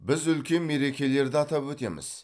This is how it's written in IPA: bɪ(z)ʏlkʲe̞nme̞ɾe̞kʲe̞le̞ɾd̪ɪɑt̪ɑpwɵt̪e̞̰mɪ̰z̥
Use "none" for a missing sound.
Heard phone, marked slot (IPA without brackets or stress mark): z